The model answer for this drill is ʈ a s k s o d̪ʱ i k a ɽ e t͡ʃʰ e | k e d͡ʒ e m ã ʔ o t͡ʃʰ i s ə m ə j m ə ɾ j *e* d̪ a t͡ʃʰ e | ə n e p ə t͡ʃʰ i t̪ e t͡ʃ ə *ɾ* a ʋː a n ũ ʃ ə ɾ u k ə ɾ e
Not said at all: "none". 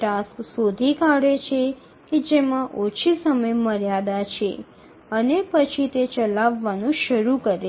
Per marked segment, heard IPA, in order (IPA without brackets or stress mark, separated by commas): a, l